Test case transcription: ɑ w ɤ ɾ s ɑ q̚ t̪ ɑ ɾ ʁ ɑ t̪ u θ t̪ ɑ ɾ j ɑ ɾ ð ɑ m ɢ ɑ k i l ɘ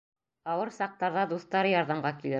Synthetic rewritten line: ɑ w ɤ ɾ s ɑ q̚ t̪ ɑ ɾ ð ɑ d̪ u θ t̪ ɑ ɾ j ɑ ɾ ð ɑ m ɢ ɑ k i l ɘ

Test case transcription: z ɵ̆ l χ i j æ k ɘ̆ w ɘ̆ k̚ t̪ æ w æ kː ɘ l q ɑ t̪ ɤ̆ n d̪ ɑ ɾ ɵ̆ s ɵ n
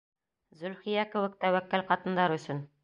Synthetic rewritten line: z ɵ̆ l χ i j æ k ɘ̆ w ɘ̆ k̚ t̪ æ w æ kː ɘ l q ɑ t̪ ɤ̆ n d̪ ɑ ɾ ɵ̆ s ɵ n

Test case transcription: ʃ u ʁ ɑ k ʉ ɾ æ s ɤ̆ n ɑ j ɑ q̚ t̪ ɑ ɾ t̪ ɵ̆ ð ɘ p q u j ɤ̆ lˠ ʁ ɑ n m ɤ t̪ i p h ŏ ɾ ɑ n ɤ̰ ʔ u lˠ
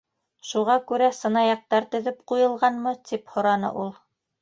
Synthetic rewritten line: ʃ u ʁ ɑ k ʉ ɾ æ s ɤ̆ n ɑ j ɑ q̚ t̪ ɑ ɾ t̪ ɵ̆ ð ɘ p q u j ɤ̆ lˠ ʁ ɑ n m ɤ t̪ i p h ŏ ɾ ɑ n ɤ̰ ʔ u lˠ

